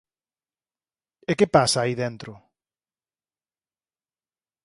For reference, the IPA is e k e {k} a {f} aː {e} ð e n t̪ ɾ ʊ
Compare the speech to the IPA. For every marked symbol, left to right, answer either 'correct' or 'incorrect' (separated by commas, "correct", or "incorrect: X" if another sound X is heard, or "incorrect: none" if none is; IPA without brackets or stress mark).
incorrect: p, incorrect: s, incorrect: i